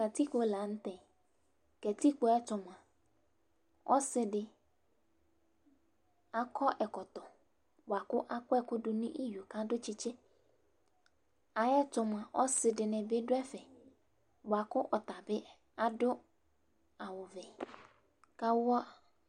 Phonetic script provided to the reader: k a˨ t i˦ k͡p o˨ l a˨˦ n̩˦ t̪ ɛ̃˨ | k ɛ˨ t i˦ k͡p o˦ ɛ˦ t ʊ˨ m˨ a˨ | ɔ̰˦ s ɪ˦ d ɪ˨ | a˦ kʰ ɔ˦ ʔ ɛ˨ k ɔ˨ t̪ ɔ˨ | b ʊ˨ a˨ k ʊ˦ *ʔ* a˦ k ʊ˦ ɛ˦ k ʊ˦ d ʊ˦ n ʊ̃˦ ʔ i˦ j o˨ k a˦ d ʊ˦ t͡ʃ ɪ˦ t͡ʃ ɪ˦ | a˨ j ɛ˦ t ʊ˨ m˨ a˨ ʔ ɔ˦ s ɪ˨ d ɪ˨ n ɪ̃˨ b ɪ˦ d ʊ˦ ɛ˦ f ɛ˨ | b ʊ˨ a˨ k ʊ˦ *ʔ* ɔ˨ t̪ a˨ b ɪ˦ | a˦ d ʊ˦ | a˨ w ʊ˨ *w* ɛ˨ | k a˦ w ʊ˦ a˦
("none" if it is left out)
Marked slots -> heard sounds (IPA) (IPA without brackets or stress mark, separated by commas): ʔ, ʔ, v